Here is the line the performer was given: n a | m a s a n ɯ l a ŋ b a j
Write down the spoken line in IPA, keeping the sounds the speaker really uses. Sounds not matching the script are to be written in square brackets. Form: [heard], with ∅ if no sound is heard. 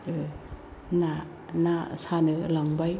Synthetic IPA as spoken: n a | [n] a s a n ɯ l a ŋ b a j